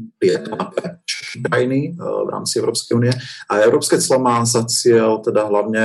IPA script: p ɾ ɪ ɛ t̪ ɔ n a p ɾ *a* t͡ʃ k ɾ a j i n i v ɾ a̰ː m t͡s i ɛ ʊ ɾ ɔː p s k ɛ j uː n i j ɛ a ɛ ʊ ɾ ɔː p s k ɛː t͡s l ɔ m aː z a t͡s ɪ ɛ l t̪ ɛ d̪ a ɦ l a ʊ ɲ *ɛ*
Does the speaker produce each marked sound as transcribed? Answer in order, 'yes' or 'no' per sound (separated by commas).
no, yes